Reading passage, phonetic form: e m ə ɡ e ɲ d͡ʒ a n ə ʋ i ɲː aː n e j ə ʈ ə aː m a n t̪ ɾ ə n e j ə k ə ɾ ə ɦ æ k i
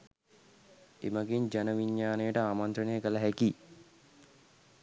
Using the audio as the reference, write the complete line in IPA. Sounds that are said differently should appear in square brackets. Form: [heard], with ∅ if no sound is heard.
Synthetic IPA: e m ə ɡ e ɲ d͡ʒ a n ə ʋ i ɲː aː n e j ə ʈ ə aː m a n t̪ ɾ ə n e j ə k ə [l] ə ɦ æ k i